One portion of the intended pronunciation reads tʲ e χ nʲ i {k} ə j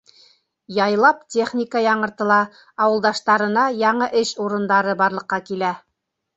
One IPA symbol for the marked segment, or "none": k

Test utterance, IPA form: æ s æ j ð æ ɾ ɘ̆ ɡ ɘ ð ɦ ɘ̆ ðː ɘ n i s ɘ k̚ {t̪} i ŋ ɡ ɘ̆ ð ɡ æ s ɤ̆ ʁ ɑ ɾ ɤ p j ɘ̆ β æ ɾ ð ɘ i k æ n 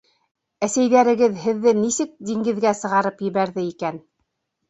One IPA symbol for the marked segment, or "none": d̪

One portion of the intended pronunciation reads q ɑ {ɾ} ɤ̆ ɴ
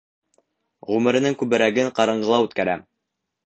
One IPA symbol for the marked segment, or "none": ɾ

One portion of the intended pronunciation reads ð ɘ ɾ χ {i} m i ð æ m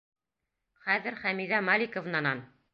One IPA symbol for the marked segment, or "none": æ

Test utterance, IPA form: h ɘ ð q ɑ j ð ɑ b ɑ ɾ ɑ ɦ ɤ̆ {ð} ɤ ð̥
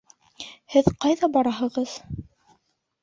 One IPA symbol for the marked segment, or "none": ʁ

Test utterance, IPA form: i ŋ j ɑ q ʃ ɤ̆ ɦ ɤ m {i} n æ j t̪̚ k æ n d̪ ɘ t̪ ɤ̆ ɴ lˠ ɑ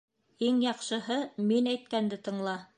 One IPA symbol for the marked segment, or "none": i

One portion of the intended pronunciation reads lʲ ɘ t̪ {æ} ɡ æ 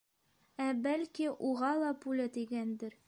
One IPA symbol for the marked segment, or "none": i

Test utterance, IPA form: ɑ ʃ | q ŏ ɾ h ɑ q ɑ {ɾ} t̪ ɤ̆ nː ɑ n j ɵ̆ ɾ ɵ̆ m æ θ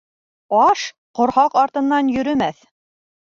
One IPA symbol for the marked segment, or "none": ɾ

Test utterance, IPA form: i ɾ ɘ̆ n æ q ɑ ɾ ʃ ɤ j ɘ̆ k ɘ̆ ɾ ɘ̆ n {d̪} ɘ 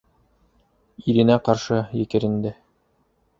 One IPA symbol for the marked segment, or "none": d̪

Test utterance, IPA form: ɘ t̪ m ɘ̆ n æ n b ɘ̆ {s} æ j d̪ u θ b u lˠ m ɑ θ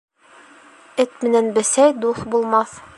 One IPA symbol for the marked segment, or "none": s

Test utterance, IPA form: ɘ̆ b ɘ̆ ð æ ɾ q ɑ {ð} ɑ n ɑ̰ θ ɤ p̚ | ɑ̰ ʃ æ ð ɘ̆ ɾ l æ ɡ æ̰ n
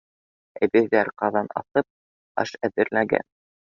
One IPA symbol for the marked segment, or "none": ð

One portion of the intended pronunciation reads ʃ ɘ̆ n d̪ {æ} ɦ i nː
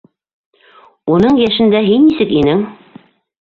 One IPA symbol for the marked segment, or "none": æ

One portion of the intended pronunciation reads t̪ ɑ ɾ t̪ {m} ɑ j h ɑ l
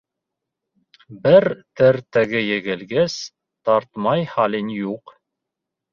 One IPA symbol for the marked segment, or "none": m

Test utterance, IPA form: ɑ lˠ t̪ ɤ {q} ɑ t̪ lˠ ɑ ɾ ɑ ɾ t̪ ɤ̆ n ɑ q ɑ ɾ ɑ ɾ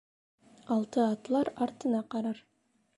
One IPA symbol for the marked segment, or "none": none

